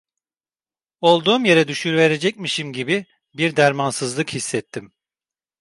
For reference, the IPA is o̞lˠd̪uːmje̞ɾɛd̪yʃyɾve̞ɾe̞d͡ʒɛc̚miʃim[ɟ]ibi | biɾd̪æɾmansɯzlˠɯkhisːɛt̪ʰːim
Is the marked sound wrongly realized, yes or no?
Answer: no